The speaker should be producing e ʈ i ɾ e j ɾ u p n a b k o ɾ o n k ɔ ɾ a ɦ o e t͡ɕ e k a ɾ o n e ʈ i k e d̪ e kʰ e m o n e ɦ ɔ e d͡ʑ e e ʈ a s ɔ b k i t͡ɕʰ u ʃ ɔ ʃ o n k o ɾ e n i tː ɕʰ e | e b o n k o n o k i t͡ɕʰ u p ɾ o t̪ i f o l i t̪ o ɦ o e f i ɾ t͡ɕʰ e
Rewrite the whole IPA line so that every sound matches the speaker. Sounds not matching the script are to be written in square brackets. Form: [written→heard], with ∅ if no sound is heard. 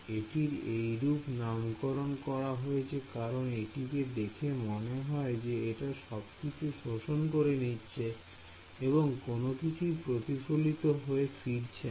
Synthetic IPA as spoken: e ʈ i ɾ e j ɾ u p n a [b→m] k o ɾ o n k ɔ ɾ a ɦ o e [t͡ɕ→t͡ɕʰ] e k a ɾ o n e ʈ i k e d̪ e kʰ e m o n e ɦ ɔ e d͡ʑ e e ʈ a [s→ʃ] ɔ b k i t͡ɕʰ u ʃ [ɔ→o] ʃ o n k o ɾ e n i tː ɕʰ e | e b o [n→ŋ] k o n o k i t͡ɕʰ u p ɾ o t̪ i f o l i t̪ o ɦ o e f i ɾ t͡ɕʰ e